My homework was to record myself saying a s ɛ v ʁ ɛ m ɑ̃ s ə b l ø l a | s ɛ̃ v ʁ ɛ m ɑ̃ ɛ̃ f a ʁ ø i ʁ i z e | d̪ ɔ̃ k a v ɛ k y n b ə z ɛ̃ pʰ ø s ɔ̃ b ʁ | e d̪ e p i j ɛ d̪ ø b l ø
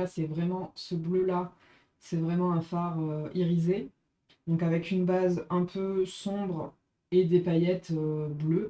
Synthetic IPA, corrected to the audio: a s ɛ v ʁ ɛ m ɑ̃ s ə b l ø l a | s ɛ v ʁ ɛ m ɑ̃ ɛ̃ f a ʁ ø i ʁ i z e | d̪ ɔ̃ k a v ɛ k y n b a z ɛ̃ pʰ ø s ɔ̃ b ʁ | e d̪ e p a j ɛ t̪ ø b l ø